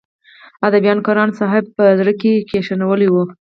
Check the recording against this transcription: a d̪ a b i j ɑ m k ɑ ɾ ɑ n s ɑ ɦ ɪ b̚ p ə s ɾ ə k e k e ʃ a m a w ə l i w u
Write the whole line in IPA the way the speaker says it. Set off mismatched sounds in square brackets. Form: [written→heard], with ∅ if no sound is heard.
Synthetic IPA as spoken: a d̪ a b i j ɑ [m→n] k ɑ ɾ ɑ n s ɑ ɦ ɪ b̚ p ə [s→z] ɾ ə k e k e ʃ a [m→n] a w ə l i w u